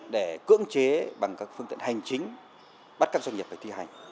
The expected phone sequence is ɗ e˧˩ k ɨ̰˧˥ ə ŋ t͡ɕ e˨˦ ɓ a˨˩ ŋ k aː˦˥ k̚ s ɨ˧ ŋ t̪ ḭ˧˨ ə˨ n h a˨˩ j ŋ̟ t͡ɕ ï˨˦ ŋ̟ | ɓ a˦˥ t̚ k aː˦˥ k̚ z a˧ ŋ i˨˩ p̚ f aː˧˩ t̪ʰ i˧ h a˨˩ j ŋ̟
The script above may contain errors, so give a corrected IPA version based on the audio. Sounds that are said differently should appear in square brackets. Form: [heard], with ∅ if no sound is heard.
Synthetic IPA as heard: ɗ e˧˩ k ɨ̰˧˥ ə ŋ t͡ɕ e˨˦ ɓ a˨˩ ŋ k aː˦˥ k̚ [f] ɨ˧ ŋ t̪ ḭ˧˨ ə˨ n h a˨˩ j ŋ̟ t͡ɕ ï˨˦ ŋ̟ | ɓ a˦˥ t̚ k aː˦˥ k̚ z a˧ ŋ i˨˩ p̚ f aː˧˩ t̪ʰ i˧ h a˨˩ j ŋ̟